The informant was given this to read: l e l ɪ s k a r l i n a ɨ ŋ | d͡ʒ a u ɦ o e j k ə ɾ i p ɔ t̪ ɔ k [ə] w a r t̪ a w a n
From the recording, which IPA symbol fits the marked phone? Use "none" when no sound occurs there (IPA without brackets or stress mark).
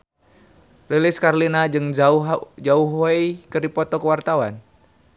ə